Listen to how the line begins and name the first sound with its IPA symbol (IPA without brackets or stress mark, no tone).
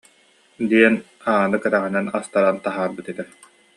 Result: d̪